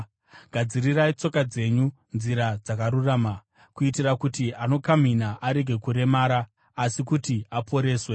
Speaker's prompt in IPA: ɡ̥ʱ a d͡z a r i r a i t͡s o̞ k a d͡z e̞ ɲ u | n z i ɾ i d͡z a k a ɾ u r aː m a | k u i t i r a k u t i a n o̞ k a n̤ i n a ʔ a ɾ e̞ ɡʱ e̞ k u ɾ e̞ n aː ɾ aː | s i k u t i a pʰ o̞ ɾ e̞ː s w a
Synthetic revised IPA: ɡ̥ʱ a d͡z i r i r a i t͡s o̞ k a d͡z e̞ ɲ u | n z i ɾ a d͡z a k a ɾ u r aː m a | k u i t i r a k u t i a n o̞ k a m̤ i n a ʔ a ɾ e̞ ɡʱ e̞ k u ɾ e̞ m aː ɾ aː | s i k u t i a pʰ o̞ ɾ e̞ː s w e